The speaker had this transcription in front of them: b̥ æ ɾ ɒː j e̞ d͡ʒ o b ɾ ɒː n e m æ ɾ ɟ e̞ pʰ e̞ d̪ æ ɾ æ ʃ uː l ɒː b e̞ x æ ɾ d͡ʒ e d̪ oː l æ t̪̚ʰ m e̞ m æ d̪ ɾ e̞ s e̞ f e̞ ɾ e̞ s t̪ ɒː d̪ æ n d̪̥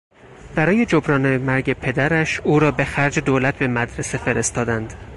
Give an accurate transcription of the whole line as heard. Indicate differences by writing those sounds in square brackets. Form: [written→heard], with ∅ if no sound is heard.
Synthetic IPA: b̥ æ ɾ ɒː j e̞ d͡ʒ o b ɾ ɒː n e m æ ɾ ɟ e̞ pʰ e̞ d̪ æ ɾ æ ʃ uː [l→ɾ] ɒː b e̞ x æ ɾ d͡ʒ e d̪ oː l æ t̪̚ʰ [m→b] e̞ m æ d̪ ɾ e̞ s e̞ f e̞ ɾ e̞ s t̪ ɒː d̪ æ n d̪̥